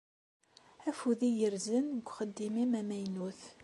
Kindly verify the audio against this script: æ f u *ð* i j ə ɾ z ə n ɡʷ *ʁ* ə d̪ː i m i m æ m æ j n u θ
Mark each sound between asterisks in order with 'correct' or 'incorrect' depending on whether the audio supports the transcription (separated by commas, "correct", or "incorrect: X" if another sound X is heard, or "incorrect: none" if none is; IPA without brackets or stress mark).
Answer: correct, incorrect: χ